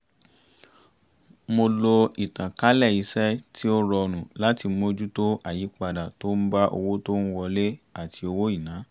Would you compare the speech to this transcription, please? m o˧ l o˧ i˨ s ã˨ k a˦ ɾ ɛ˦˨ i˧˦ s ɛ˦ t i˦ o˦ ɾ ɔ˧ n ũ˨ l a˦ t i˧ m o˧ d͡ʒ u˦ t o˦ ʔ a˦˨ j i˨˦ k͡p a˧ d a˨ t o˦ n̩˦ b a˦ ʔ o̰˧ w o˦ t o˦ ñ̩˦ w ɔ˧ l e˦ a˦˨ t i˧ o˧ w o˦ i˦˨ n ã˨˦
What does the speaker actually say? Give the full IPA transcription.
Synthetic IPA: m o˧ l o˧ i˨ t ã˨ k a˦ l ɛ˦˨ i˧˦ s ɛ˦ t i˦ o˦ ɾ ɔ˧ n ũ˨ l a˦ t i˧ m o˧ d͡ʒ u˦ t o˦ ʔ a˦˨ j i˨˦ k͡p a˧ d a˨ t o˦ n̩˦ b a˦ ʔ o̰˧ w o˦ t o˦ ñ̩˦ w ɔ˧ l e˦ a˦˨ t i˧ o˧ w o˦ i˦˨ n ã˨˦